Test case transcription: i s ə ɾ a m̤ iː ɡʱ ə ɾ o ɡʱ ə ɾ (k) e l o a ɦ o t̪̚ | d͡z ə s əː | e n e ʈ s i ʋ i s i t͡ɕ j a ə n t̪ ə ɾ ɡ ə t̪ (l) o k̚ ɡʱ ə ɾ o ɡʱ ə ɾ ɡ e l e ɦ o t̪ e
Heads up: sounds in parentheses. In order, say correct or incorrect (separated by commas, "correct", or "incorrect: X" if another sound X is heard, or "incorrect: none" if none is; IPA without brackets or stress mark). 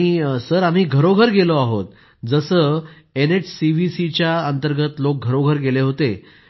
incorrect: ɡ, correct